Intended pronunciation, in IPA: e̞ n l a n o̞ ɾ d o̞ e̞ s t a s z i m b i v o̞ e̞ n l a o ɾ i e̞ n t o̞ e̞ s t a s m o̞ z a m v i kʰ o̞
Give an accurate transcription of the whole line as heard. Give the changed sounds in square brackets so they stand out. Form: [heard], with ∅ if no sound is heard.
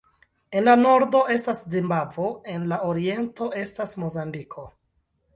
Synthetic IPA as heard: e̞ n l a n o̞ ɾ d o̞ e̞ s t a s z i m b [a] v o̞ e̞ n l a o ɾ i e̞ n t o̞ e̞ s t a s m o̞ z a m [b] i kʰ o̞

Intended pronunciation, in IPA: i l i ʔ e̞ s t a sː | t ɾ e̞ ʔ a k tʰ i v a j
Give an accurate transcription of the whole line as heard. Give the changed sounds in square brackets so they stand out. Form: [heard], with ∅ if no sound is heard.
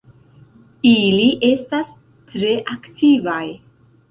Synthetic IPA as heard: i l i ʔ e̞ s t a [s] | t ɾ e̞ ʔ a k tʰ i v a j

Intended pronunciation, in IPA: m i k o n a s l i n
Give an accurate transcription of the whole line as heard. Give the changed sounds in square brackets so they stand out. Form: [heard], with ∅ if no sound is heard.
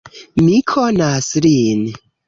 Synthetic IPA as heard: m i [kʰ] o n a s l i n

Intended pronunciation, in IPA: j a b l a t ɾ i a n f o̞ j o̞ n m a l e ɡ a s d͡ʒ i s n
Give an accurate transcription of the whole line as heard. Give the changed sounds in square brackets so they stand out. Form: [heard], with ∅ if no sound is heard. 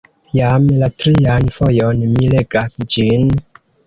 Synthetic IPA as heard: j a [m] l a t ɾ i a n f o̞ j o̞ n m [i] l e ɡ a s d͡ʒ i [∅] n

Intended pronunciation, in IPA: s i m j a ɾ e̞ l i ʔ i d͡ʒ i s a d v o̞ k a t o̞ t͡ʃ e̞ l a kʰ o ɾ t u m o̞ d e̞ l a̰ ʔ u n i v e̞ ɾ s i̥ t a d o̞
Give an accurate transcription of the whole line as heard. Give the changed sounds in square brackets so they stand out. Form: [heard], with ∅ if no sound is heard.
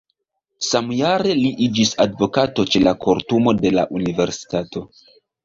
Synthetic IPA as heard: s [a] m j a ɾ e̞ l i ʔ i d͡ʒ i s a d v o̞ k a t o̞ t͡ʃ e̞ l a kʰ o ɾ t u m o̞ d e̞ l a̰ ʔ u n i v e̞ ɾ s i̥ t a [t] o̞

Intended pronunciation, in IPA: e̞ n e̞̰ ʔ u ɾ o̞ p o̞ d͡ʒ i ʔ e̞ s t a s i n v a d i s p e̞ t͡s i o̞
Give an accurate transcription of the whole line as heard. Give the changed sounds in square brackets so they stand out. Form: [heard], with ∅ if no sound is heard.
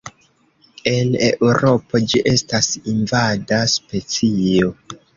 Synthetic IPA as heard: e̞ n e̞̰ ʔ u ɾ o̞ p o̞ d͡ʒ i ʔ e̞ s t a s i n v a d [a] s p e̞ t͡s i o̞

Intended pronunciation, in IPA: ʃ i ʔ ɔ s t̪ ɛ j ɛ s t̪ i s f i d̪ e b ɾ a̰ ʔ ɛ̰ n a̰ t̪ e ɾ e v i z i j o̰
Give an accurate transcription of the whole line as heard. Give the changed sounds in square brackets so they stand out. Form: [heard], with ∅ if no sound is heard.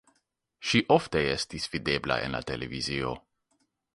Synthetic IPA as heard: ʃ i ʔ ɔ [f] t̪ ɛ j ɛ s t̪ i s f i d̪ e b [l] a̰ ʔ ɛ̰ n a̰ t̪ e [l] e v i z i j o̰

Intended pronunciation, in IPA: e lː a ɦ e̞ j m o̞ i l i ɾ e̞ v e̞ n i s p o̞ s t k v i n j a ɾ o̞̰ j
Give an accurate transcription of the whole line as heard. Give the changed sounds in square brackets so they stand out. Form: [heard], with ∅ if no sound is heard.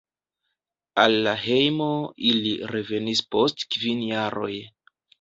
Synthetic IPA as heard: [a] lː a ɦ e̞ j m o̞ i l i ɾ e̞ v e̞ n i s p o̞ s t k v i n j a ɾ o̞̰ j

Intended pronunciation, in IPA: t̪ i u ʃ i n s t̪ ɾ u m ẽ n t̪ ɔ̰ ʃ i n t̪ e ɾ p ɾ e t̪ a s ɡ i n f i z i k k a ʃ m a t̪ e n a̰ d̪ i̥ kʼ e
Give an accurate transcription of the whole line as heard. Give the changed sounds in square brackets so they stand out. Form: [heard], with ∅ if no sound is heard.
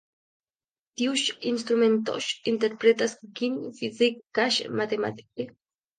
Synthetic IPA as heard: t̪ i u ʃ i n s t̪ ɾ u m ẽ n t̪ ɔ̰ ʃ i n t̪ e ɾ p ɾ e t̪ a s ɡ i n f i z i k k a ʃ m a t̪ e [m] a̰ [t̪] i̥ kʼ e

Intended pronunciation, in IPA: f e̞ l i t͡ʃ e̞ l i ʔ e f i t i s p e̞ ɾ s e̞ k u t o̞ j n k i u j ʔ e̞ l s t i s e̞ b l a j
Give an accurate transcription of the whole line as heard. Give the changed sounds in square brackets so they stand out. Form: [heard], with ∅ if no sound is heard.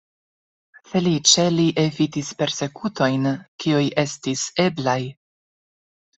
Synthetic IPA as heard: f e̞ l i t͡ʃ e̞ l i ʔ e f i t i s p e̞ ɾ s e̞ k u t o̞ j n k i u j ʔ e̞ [∅] s t i s e̞ b l a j

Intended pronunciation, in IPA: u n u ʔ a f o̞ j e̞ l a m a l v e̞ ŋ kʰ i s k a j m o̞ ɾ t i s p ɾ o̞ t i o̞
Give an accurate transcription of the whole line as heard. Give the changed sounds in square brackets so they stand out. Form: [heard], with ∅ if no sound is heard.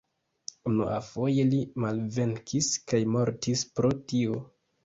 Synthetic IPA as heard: u n u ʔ a f o̞ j e̞ l [i] m a l v e̞ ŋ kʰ i s k a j m o̞ ɾ t i s p ɾ o̞ t i o̞

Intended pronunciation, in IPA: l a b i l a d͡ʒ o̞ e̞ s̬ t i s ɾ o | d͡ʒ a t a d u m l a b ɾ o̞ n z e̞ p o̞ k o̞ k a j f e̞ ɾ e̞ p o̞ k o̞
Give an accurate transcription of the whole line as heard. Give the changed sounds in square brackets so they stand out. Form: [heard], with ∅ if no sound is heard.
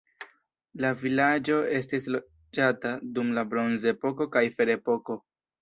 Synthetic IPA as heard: l a [v] i l a d͡ʒ o̞ e̞ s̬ t i s [l] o | d͡ʒ a t a d u m l a b ɾ o̞ n z e̞ p o̞ k o̞ k a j f e̞ ɾ e̞ p o̞ k o̞

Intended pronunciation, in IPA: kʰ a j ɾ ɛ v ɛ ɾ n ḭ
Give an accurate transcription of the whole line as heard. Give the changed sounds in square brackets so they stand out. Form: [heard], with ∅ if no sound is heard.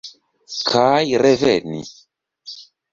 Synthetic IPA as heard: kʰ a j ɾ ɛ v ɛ [∅] n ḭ

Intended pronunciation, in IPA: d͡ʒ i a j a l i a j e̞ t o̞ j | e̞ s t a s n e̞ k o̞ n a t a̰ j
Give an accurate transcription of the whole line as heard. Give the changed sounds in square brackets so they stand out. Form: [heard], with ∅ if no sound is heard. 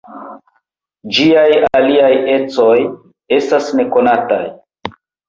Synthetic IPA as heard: d͡ʒ i a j a l i a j e̞ [t͡s] o̞ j | e̞ s t a s n e̞ k o̞ n a t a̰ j

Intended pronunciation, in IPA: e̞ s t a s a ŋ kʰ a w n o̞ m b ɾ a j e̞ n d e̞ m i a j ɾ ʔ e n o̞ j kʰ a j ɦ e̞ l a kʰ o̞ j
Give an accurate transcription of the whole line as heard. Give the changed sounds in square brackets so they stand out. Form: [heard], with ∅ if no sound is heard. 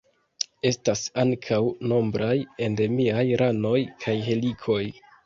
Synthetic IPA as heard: e̞ s t a s a ŋ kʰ a w n o̞ m b ɾ a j e̞ n d e̞ m i a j ɾ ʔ [a] n o̞ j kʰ a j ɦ e̞ l [i] kʰ o̞ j

